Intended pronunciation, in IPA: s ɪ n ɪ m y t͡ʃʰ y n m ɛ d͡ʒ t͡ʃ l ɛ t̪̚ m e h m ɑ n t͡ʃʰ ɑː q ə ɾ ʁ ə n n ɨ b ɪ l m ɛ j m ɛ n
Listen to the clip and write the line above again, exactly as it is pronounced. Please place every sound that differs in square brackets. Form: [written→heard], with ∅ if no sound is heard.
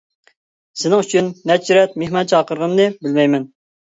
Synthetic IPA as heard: s ɪ n ɪ [m→ŋ] y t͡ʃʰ y n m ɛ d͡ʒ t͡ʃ [l→ɾ] ɛ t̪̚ m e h m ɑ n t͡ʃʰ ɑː q ə ɾ ʁ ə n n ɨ b ɪ l m ɛ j m ɛ n